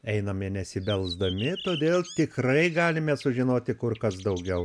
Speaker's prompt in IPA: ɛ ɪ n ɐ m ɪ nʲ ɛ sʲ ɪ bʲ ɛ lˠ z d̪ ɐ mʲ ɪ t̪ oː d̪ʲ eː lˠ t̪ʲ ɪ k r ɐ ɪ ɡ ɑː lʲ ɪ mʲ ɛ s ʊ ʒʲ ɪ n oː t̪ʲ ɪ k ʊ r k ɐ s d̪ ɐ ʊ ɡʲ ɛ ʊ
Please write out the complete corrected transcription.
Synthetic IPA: ɛ ɪ n ɐ m ɪ nʲ ɛ sʲ ɪ bʲ ɛ lˠ z d̪ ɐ mʲ ɪ t̪ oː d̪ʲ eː lˠ t̪ʲ ɪ k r ɐ ɪ ɡ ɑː lʲ ɪ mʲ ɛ s ʊ ʒʲ ɪ n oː t̪ʲ ɪ k ʊ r k ɐ s d̪ ɐ ʊ ɡʲ ɛ ʊ